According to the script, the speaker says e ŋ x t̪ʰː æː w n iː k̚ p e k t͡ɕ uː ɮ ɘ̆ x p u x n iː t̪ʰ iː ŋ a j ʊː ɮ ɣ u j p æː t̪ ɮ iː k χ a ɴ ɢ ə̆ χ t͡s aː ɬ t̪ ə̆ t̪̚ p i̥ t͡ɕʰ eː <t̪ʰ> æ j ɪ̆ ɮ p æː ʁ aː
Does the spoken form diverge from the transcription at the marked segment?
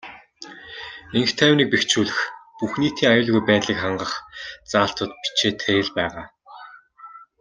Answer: no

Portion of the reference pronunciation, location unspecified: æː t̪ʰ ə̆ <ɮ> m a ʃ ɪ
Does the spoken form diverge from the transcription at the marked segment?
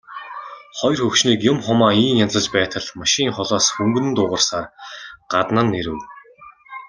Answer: no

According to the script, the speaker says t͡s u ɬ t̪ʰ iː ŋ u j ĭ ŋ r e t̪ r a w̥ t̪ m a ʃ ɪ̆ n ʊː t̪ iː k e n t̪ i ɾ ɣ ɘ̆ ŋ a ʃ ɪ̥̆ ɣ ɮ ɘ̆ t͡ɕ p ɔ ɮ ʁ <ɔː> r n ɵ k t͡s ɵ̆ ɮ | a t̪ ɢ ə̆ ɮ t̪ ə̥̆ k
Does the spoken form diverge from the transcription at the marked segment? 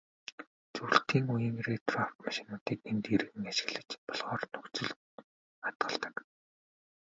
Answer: no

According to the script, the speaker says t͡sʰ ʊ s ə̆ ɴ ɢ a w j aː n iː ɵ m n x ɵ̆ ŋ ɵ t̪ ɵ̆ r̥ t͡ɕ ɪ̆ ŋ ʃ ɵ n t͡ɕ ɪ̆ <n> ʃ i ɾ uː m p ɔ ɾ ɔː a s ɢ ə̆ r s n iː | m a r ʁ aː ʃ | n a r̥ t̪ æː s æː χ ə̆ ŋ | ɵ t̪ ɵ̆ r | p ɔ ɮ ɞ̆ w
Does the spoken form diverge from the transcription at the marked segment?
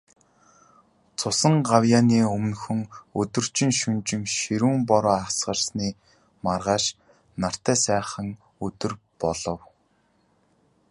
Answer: yes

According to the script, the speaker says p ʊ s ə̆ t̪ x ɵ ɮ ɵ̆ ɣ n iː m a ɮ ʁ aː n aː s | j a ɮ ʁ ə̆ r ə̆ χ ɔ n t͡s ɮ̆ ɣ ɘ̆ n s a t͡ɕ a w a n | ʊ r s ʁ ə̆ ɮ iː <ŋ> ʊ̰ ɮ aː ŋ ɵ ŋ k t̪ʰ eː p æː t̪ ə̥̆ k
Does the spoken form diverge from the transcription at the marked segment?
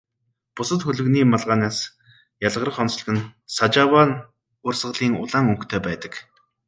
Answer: no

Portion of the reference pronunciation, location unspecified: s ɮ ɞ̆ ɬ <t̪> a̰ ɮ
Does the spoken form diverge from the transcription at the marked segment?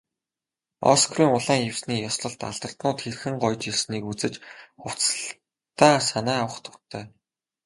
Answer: no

